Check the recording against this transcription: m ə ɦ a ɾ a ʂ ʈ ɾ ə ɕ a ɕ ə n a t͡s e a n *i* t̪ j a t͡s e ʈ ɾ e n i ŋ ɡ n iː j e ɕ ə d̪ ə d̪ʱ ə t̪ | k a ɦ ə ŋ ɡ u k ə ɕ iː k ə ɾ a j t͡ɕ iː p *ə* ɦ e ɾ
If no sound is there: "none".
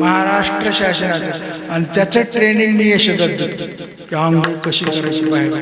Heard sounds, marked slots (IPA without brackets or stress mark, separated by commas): i, a